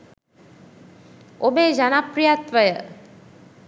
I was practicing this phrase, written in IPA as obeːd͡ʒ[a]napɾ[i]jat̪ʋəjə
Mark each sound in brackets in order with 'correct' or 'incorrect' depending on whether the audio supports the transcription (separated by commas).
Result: correct, correct